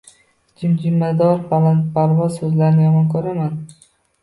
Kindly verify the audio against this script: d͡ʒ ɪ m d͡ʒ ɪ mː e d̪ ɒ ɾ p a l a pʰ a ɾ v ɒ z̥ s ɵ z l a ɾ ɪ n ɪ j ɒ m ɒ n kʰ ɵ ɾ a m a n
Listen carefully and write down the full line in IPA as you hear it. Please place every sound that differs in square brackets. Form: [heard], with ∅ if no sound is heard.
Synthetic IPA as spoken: d͡ʒ ɪ m d͡ʒ ɪ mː [a] d̪ ɒ ɾ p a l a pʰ a ɾ v ɒ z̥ s ɵ z l a ɾ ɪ n ɪ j ɒ m ɒ n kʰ ɵ ɾ a m a n